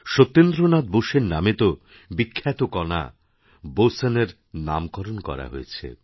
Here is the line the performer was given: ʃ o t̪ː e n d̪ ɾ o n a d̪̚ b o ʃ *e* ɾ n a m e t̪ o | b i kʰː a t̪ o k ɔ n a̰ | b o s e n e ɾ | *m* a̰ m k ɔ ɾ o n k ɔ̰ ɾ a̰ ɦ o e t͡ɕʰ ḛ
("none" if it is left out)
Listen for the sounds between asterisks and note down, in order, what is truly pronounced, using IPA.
e, n

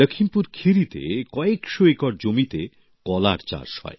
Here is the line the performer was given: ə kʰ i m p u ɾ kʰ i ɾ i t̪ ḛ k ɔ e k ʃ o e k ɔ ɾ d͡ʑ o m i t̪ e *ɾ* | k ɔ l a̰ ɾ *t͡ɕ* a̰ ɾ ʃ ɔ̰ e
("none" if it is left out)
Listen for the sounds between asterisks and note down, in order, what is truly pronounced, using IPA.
none, t͡ɕ

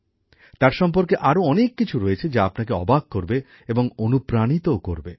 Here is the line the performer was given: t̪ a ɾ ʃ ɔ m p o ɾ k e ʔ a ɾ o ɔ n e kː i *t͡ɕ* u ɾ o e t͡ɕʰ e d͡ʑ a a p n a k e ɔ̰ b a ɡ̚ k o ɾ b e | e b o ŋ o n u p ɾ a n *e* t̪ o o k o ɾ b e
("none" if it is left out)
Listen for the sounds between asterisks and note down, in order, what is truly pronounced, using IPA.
t͡ɕʰ, i

